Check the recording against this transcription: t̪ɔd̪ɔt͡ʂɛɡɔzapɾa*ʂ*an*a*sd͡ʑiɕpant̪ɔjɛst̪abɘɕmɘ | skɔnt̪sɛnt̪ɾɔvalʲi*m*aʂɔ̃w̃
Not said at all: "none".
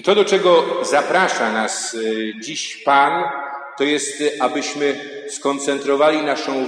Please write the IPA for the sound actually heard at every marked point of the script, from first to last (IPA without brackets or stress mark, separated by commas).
ʂ, a, n